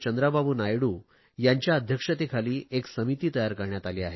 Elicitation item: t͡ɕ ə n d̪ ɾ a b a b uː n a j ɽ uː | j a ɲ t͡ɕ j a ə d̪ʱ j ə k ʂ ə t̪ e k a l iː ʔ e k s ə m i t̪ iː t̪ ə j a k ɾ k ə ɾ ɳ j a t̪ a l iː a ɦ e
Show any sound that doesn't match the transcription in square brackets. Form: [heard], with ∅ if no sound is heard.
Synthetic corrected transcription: t͡ɕ ə n d̪ ɾ a b a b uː n a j ɽ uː | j a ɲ t͡ɕ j a ə d̪ʱ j ə k ʂ ə t̪ e [kʰ] a l iː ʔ e k s ə m i t̪ iː t̪ ə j a [∅] ɾ k ə ɾ ɳ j a t̪ a l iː a ɦ e